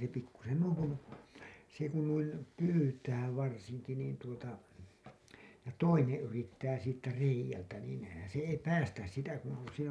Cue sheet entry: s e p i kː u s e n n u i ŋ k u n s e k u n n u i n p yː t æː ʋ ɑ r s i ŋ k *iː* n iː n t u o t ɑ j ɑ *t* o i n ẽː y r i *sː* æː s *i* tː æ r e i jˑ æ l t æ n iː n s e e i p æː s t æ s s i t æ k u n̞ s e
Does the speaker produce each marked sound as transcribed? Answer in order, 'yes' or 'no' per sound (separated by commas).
no, yes, no, no